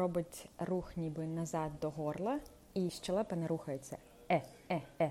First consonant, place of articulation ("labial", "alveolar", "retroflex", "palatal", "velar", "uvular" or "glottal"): labial